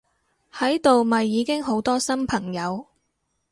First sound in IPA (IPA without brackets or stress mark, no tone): h